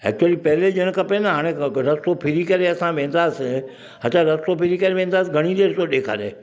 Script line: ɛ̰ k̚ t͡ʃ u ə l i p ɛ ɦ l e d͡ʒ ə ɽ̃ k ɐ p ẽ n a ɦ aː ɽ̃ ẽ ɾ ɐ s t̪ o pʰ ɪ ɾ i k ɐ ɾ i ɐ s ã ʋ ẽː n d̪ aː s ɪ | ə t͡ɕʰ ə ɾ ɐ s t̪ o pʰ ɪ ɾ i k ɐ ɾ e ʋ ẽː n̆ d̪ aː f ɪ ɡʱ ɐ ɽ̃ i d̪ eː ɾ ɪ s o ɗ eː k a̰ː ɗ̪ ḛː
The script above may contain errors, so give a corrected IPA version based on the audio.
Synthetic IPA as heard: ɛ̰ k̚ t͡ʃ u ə l i p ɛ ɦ l e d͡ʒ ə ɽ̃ k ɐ p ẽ n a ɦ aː ɽ̃ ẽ ɾ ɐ s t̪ o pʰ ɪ ɾ i k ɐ ɾ e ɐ s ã ʋ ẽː n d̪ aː s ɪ | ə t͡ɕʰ a ɾ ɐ s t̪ o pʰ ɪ ɾ i k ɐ ɾ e ʋ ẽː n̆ d̪ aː s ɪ ɡʱ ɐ ɽ̃ i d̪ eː ɾ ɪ s o ɗ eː kʰ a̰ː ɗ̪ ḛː